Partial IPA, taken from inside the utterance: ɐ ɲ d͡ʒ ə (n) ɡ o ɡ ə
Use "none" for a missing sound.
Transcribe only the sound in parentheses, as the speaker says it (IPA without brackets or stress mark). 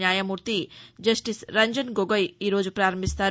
n